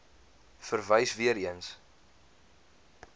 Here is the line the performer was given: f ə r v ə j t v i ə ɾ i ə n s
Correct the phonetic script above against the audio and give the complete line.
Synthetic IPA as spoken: f ə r v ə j s v i ə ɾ i ə n s